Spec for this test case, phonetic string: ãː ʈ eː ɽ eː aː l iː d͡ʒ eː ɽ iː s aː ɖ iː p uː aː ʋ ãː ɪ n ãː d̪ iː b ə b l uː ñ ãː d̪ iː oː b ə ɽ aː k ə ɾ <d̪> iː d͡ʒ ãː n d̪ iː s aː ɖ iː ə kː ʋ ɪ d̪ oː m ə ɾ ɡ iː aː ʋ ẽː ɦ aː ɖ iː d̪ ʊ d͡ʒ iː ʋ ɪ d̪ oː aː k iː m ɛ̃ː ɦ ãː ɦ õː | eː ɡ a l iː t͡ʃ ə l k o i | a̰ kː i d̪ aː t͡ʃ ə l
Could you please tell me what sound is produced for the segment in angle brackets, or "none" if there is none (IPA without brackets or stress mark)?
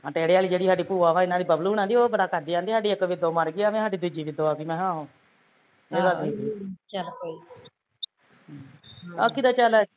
d̪